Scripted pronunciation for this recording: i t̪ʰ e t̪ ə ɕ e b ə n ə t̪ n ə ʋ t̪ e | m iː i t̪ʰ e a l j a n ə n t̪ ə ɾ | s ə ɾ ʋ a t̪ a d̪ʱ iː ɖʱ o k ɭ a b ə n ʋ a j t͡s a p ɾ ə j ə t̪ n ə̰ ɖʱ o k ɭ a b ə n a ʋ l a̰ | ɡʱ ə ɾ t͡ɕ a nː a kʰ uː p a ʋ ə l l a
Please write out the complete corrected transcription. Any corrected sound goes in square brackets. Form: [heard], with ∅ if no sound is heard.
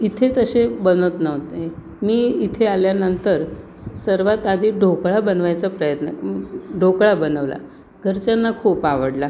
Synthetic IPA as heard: i t̪ʰ e t̪ ə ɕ e b ə n ə t̪ n ə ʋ t̪ e | m iː i t̪ʰ e a l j a n ə n t̪ ə ɾ | s ə ɾ ʋ a t̪ a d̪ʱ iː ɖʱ o k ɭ a b ə n ʋ a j t͡s a p ɾ ə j ə t̪ n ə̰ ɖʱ o k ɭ a b ə n [ə] ʋ l a̰ | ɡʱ ə ɾ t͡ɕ a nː a kʰ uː p a ʋ ə [ɽ] l a